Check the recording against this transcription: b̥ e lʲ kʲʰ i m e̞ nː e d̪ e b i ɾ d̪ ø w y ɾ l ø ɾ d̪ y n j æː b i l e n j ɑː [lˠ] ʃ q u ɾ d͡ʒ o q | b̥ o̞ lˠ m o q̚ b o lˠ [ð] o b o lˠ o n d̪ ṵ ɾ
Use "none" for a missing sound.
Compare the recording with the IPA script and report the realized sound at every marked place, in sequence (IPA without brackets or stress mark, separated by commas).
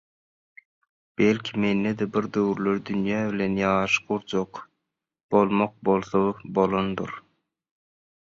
none, θ